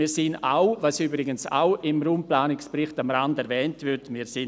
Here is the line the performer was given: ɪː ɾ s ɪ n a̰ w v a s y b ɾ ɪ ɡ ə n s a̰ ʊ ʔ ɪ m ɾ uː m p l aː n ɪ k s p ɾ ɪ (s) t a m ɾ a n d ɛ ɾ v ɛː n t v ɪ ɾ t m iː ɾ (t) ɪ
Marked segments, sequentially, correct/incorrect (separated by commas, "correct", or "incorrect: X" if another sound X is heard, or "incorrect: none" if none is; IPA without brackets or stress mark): incorrect: χ, incorrect: s